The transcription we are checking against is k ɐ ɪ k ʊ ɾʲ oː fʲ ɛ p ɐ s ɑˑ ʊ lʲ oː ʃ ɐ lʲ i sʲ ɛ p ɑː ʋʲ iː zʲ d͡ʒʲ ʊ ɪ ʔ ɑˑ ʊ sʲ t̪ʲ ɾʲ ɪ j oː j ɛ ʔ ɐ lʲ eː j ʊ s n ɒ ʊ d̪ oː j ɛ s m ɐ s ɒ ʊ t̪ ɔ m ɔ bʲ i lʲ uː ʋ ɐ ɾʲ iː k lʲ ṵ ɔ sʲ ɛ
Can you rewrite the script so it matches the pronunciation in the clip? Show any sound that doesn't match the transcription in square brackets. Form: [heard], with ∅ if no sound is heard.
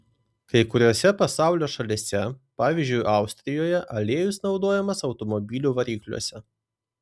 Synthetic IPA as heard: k ɐ ɪ k ʊ ɾʲ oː [sʲ] ɛ p ɐ s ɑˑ ʊ lʲ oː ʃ ɐ lʲ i sʲ ɛ p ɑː ʋʲ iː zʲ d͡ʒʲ ʊ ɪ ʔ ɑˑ ʊ sʲ t̪ʲ ɾʲ ɪ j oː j ɛ ʔ ɐ lʲ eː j ʊ s n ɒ ʊ d̪ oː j ɛ [∅] m ɐ s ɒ ʊ t̪ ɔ m ɔ bʲ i lʲ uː ʋ ɐ ɾʲ iː k lʲ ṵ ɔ sʲ ɛ

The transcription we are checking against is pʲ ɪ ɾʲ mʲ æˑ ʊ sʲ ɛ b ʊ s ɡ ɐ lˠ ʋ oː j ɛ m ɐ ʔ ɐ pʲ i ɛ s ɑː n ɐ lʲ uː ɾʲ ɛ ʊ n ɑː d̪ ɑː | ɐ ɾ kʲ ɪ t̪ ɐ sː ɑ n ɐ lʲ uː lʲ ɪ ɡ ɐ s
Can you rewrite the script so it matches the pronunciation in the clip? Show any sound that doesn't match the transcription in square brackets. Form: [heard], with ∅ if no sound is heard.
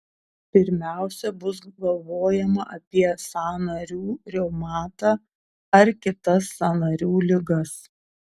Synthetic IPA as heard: pʲ ɪ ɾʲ mʲ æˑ ʊ sʲ ɛ b ʊ s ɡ ɐ lˠ ʋ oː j ɛ m ɐ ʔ ɐ pʲ i ɛ s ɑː n ɐ [ɾʲ] uː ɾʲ ɛ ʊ [m] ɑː [t̪] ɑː | ɐ ɾ kʲ ɪ t̪ ɐ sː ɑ n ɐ [ɾʲ] uː lʲ ɪ ɡ ɐ s

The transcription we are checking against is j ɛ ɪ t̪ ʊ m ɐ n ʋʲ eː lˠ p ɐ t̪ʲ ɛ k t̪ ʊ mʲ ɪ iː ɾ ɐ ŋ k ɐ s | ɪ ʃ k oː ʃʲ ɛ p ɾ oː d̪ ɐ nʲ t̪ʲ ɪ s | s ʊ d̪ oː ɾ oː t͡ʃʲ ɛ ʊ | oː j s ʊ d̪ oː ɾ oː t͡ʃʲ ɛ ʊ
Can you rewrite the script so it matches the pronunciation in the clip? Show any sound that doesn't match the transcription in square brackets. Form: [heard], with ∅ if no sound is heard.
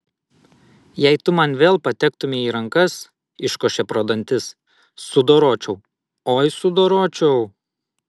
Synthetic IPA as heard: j ɛ ɪ t̪ ʊ m ɐ n ʋʲ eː lˠ p ɐ t̪ʲ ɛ k t̪ ʊ mʲ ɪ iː ɾ ɐ ŋ k ɐ s | ɪ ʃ k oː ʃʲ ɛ p ɾ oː d̪ ɐ nʲ t̪ʲ ɪ s | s ʊ d̪ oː ɾ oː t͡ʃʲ ɛ ʊ | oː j s ʊ d̪ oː ɾ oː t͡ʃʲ ɛ ʊ

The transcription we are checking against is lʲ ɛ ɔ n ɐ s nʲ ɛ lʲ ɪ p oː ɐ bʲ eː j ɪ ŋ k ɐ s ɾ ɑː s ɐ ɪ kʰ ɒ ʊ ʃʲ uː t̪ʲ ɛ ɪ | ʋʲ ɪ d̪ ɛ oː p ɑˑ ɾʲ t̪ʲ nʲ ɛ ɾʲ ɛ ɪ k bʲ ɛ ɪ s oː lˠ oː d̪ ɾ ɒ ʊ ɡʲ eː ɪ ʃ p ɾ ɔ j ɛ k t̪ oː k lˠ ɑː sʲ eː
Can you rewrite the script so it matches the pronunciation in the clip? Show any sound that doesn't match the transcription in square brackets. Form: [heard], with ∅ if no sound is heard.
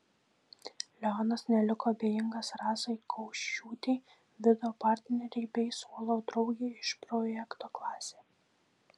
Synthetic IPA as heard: lʲ ɛ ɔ n ɐ s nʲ ɛ lʲ ɪ [k] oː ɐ bʲ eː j ɪ ŋ [ɡ] ɐ s ɾ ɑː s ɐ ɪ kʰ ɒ ʊ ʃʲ uː t̪ʲ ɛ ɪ | ʋʲ ɪ d̪ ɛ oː p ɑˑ ɾʲ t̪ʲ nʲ ɛ ɾʲ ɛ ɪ [∅] bʲ ɛ ɪ s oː lˠ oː d̪ ɾ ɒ ʊ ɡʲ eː ɪ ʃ p ɾ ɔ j ɛ k t̪ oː k lˠ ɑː sʲ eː

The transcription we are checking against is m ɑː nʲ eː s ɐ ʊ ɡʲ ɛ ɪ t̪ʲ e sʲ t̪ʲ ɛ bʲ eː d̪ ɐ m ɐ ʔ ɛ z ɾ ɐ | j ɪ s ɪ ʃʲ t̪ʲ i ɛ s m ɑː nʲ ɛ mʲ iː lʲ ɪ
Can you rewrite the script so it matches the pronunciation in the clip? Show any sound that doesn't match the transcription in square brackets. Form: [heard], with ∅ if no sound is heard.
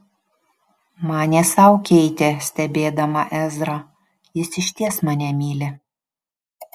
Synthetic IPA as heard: m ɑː nʲ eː s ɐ ʊ [kʲ] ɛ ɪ t̪ʲ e sʲ t̪ʲ ɛ bʲ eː d̪ ɐ m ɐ ʔ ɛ z ɾ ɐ | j ɪ s ɪ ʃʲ t̪ʲ i ɛ s m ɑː nʲ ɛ mʲ iː lʲ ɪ

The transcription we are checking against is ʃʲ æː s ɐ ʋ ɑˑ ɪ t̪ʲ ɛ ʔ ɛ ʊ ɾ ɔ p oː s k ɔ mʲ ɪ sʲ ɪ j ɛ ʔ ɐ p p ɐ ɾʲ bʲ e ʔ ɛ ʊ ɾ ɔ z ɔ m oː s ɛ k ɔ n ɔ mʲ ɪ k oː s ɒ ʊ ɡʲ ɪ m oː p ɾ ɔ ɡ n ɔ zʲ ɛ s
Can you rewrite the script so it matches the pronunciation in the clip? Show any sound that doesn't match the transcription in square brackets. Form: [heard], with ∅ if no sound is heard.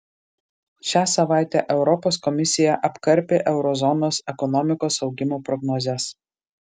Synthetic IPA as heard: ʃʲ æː s ɐ ʋ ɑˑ ɪ t̪ʲ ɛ ʔ ɛ ʊ ɾ ɔ p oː s k ɔ mʲ ɪ sʲ ɪ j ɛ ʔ ɐ p [k] ɐ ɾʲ [pʲ] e ʔ ɛ ʊ ɾ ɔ z ɔ [n] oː s ɛ k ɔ n ɔ mʲ ɪ k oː s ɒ ʊ ɡʲ ɪ m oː p ɾ ɔ ɡ n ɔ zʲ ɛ s

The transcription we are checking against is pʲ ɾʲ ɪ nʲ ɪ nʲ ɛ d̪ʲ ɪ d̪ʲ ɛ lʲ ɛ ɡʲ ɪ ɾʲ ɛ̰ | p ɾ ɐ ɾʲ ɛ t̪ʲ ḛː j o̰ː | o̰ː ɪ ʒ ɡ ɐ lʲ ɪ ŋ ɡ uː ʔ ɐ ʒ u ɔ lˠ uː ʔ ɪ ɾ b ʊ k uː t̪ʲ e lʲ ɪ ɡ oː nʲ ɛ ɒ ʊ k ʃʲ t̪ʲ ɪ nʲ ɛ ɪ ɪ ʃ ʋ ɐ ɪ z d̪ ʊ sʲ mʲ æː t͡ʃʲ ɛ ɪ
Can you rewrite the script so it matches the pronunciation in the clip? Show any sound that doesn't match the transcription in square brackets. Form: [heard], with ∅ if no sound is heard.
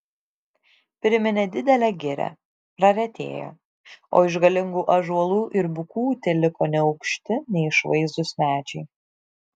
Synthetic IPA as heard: pʲ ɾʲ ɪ [mʲ] ɪ nʲ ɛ d̪ʲ ɪ d̪ʲ ɛ lʲ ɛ ɡʲ ɪ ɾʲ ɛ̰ | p ɾ ɐ ɾʲ ɛ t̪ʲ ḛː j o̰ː | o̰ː ɪ ʒ ɡ ɐ lʲ ɪ ŋ ɡ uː ʔ ɐ ʒ u ɔ lˠ uː ʔ ɪ ɾ b ʊ k uː t̪ʲ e lʲ ɪ [k] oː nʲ ɛ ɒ ʊ k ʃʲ t̪ʲ ɪ nʲ ɛ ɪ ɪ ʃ ʋ ɐ ɪ z d̪ ʊ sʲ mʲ æː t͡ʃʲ ɛ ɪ

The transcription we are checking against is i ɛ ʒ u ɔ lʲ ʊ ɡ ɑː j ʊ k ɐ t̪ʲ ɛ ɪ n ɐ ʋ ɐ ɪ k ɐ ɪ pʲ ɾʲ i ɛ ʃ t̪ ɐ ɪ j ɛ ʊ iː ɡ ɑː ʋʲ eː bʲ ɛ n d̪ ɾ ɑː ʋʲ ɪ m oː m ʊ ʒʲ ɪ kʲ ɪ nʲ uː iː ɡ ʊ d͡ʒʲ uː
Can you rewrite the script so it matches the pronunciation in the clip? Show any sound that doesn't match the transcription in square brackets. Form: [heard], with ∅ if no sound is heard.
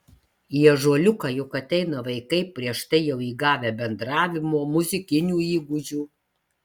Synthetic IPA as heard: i ɛ ʒ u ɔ lʲ ʊ [k] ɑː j ʊ k ɐ t̪ʲ ɛ ɪ n ɐ ʋ ɐ ɪ k ɐ ɪ pʲ ɾʲ i ɛ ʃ t̪ ɐ ɪ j ɛ ʊ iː ɡ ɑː ʋʲ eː bʲ ɛ n d̪ ɾ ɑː ʋʲ ɪ m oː m ʊ [zʲ] ɪ kʲ ɪ nʲ uː iː ɡ ʊ d͡ʒʲ uː

